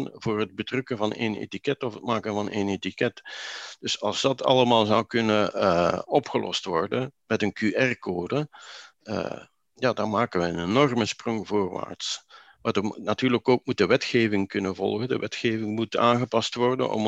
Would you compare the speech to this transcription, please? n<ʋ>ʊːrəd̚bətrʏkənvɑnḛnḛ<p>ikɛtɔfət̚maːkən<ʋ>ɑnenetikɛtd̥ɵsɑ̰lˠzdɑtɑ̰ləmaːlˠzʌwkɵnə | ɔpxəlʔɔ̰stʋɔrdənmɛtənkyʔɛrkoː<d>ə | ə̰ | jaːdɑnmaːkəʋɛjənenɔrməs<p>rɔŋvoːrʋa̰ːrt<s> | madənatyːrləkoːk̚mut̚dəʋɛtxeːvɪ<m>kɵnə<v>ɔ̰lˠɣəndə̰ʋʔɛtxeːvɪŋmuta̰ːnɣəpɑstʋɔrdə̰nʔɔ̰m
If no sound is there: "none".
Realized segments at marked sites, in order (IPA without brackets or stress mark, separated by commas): v, t, v, d, p, s, ŋ, v